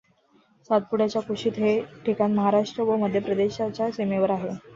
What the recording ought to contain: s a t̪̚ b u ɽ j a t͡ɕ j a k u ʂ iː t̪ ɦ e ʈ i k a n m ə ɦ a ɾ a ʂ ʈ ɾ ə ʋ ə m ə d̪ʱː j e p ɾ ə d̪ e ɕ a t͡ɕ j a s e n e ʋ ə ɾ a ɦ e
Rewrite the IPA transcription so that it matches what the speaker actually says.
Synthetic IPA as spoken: s a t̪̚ p u ɽ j a t͡ɕ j a k u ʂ iː t̪ ɦ e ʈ i k a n m ə ɦ a ɾ a ʂ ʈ ɾ ə ʋ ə m ə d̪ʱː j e p ɾ ə d̪ e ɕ a t͡ɕ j a s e m e ʋ ə ɾ a ɦ e